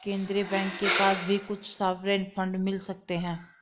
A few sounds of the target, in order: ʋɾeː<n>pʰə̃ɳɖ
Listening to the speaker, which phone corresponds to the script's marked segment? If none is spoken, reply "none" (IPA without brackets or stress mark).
n